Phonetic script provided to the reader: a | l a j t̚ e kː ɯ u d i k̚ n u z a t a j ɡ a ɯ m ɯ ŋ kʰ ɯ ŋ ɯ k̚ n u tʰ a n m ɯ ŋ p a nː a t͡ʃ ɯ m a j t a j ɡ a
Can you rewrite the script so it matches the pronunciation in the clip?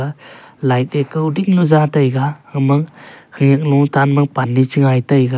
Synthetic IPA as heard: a | l a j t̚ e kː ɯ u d i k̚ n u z a t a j ɡ a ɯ m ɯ ŋ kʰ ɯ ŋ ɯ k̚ n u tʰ a n m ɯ ŋ p a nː i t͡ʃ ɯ ŋ a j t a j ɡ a